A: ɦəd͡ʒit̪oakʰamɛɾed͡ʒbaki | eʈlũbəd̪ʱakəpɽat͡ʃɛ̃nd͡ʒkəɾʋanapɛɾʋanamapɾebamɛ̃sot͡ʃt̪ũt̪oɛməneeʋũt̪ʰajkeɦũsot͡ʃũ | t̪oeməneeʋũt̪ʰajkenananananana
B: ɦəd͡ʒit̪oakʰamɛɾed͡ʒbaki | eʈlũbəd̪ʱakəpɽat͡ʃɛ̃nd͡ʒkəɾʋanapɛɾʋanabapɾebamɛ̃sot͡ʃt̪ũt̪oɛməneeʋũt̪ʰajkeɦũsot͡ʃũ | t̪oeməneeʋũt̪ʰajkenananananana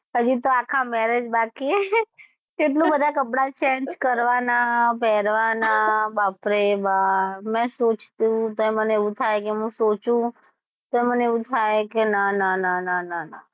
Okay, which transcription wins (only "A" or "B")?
B